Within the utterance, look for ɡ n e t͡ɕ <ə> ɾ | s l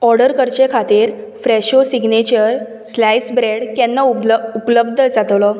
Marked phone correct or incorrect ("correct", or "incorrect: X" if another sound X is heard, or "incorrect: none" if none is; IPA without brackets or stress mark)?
correct